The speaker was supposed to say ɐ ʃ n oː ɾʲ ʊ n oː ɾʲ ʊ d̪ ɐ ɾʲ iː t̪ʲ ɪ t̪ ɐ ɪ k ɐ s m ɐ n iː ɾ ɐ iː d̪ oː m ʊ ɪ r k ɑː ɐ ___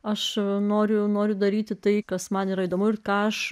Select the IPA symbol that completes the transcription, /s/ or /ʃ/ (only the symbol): ʃ